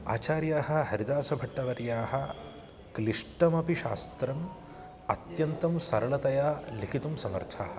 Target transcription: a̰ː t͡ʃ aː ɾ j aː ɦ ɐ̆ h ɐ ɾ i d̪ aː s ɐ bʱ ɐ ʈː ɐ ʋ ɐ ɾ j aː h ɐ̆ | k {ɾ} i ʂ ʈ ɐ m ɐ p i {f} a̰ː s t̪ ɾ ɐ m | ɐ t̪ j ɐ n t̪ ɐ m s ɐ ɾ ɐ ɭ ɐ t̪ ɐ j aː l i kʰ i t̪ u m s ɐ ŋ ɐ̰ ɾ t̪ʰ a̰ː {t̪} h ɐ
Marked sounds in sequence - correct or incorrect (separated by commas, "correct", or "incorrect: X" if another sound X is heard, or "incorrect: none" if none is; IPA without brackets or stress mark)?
incorrect: l, incorrect: ʃ, incorrect: none